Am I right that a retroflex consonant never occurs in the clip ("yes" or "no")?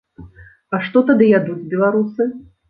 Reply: no